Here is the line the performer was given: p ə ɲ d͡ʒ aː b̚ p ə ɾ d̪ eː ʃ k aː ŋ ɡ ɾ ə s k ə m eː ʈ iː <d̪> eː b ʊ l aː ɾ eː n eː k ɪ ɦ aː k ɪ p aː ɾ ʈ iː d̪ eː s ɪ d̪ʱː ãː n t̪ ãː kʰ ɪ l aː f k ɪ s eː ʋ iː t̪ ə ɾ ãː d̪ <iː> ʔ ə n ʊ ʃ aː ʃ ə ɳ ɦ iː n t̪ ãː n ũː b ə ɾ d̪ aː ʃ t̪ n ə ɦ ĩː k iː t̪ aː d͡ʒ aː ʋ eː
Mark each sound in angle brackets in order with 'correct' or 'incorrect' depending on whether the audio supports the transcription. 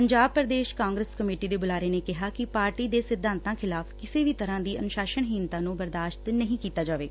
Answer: correct, correct

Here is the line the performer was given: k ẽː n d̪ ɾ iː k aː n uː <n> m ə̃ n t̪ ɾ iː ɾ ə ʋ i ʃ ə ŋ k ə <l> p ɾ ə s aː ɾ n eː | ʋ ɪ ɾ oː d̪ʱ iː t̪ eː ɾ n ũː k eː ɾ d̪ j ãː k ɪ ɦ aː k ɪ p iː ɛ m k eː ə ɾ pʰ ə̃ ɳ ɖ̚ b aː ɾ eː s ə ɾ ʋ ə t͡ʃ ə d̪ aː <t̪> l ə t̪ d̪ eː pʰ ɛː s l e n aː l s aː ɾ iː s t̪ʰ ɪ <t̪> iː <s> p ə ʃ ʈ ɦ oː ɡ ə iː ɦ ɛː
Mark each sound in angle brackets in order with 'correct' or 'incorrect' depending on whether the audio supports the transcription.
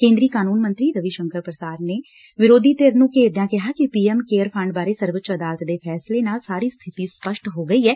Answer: correct, incorrect: ɾ, incorrect: none, correct, correct

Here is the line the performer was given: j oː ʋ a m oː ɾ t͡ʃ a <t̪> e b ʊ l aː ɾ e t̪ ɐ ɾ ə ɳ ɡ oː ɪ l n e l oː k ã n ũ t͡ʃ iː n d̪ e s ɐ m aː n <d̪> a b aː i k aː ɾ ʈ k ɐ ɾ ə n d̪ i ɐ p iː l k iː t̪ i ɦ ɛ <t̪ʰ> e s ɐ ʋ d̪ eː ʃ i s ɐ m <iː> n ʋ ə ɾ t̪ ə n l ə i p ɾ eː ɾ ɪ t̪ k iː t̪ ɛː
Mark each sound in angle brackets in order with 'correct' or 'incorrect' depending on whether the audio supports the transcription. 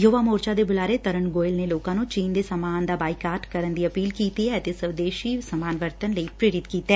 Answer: incorrect: d̪, correct, incorrect: t̪, incorrect: aː

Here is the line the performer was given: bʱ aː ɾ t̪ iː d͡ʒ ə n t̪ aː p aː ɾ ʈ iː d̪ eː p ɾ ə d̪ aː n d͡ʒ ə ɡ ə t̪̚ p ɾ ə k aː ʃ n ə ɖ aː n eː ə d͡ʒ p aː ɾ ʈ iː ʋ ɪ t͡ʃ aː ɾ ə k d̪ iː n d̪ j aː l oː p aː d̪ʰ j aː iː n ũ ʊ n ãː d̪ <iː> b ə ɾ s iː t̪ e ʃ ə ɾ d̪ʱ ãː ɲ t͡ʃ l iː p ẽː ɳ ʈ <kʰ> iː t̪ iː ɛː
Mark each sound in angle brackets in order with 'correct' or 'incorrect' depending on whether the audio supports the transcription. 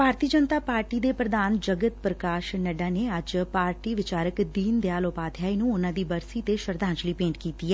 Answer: correct, incorrect: k

